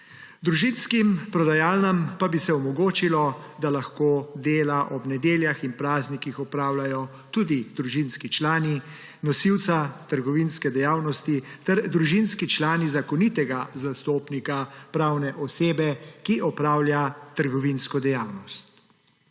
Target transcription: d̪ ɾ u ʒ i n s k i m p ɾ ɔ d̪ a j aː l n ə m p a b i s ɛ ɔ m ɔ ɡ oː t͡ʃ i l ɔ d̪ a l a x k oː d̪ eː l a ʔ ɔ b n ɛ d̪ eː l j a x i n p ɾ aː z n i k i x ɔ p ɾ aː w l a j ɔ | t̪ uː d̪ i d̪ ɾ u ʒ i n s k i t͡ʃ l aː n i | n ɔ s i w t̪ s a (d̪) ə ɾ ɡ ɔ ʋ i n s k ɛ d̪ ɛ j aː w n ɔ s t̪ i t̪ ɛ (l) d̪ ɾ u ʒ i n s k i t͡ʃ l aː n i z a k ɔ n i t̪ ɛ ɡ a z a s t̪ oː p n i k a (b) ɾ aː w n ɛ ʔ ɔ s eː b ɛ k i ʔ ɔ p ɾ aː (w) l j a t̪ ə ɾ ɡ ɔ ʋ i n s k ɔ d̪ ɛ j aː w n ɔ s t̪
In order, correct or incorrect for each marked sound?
incorrect: t̪, incorrect: ɾ, incorrect: p, correct

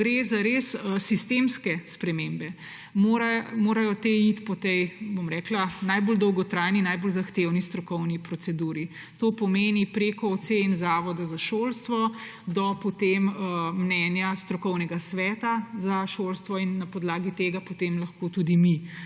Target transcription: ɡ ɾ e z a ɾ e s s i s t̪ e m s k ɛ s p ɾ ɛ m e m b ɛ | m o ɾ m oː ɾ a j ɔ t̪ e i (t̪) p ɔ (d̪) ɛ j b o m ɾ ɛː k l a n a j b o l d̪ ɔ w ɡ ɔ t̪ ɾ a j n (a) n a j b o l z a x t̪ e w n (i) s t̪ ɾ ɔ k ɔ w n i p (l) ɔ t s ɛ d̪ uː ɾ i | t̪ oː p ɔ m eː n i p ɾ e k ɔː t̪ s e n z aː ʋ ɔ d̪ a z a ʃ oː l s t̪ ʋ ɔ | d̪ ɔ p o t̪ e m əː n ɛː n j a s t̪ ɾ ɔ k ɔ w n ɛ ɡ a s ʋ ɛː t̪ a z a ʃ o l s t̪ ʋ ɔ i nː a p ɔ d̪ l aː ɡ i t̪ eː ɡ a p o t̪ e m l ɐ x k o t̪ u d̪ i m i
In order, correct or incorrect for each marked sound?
correct, incorrect: t̪, incorrect: i, correct, incorrect: ɾ

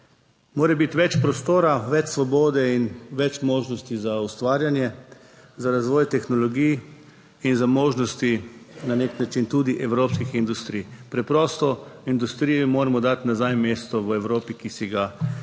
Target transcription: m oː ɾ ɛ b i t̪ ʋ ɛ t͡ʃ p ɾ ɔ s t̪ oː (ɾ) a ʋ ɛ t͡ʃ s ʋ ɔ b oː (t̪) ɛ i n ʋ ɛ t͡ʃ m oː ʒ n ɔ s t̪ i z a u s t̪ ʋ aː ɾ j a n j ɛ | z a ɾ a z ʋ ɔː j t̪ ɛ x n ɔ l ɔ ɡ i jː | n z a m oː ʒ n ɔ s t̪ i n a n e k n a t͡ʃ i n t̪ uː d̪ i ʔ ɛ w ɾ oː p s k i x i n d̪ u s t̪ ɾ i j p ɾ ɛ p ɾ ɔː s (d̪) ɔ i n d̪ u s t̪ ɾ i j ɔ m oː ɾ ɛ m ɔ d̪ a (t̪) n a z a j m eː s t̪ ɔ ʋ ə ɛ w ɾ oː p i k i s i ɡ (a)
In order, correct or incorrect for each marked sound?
correct, incorrect: d̪, incorrect: t̪, correct, correct

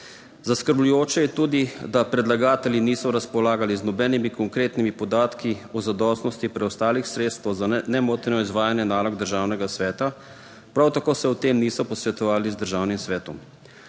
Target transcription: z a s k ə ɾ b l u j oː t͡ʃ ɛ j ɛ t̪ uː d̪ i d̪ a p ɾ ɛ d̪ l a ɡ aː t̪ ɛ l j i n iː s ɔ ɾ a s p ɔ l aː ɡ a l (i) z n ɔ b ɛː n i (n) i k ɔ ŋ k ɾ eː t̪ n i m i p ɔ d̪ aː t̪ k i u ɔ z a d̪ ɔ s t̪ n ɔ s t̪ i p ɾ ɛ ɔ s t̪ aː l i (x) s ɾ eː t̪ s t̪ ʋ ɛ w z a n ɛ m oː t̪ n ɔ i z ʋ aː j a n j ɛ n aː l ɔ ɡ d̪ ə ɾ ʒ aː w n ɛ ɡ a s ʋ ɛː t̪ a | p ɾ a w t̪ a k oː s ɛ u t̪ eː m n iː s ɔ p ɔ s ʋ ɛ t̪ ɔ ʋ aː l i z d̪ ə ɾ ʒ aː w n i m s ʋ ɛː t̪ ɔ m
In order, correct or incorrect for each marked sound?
correct, incorrect: m, correct

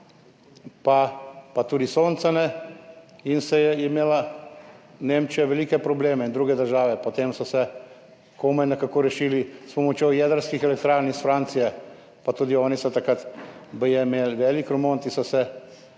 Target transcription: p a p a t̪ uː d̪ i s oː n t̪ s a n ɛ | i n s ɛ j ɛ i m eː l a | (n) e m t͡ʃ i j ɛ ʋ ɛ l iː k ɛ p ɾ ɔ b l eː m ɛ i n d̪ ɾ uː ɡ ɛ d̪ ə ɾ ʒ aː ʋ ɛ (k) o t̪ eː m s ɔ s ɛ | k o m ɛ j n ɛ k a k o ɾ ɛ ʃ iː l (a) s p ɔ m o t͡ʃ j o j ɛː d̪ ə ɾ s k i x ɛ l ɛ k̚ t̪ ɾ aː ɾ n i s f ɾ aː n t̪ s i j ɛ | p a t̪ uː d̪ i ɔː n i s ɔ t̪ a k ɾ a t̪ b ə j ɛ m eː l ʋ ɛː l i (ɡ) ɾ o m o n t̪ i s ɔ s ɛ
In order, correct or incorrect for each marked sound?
correct, incorrect: p, incorrect: i, incorrect: k

